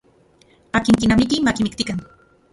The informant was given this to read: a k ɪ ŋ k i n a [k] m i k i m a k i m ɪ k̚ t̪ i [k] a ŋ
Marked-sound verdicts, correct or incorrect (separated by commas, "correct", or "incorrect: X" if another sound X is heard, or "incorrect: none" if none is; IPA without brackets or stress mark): incorrect: none, correct